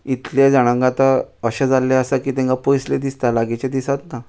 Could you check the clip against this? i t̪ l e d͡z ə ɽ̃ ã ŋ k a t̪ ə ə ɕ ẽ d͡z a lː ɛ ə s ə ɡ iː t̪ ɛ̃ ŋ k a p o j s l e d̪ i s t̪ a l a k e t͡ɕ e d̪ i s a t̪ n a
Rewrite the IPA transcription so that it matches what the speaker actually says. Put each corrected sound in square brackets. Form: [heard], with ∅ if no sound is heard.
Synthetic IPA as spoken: i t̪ l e d͡z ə ɽ̃ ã ŋ [ɡ] a t̪ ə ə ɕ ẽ d͡z a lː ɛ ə s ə [k] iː t̪ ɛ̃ ŋ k a p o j s l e d̪ i s t̪ a l a [ɡ] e t͡ɕ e d̪ i s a t̪ n a